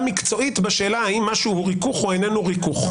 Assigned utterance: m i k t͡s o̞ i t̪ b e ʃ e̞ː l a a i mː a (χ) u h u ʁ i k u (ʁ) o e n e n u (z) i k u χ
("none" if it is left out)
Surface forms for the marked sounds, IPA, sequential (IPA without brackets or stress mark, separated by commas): ʃ, χ, ʁ